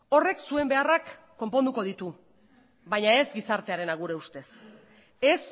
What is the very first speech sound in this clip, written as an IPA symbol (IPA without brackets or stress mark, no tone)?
o̞